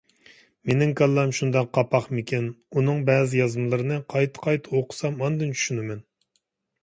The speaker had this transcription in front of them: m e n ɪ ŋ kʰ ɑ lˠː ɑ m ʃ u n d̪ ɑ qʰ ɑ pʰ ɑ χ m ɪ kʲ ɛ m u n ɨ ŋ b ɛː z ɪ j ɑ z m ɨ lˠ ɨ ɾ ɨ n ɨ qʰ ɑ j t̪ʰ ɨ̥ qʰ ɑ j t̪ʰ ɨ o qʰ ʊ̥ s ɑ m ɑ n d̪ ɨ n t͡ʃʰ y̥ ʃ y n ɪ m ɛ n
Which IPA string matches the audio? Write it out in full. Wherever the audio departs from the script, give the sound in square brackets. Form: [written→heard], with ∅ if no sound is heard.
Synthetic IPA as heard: m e n ɪ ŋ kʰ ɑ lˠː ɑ m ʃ u n d̪ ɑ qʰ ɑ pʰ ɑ χ m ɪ kʲ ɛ [m→n] u n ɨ ŋ b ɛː z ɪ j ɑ z m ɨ lˠ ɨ ɾ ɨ n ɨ qʰ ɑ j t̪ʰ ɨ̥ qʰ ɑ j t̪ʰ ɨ o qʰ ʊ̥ s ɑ m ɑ n d̪ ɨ n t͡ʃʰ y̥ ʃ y n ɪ m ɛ n